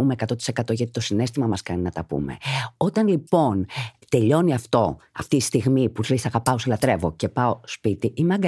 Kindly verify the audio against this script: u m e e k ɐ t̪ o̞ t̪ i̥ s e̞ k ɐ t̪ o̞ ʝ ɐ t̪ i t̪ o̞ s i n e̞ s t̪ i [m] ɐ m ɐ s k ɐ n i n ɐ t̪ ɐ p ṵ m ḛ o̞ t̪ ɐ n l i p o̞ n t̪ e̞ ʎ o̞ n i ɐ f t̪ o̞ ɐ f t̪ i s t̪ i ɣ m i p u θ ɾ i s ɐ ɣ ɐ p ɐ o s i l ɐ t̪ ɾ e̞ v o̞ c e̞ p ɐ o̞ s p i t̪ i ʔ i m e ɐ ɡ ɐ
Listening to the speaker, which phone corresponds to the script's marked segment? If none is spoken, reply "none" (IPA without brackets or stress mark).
m